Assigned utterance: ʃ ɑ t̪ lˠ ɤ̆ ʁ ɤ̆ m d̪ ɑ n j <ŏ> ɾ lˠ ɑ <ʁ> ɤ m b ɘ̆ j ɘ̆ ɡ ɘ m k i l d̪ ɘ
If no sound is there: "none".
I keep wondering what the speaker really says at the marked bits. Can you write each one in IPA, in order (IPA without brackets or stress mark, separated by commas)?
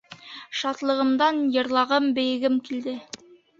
ɤ̆, ʁ